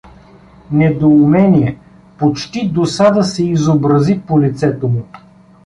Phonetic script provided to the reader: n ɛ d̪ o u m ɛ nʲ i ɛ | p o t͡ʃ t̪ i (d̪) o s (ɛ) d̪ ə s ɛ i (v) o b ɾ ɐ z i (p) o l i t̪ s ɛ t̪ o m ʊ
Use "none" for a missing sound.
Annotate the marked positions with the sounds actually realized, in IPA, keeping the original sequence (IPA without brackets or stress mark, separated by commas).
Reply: d̪, a, z, p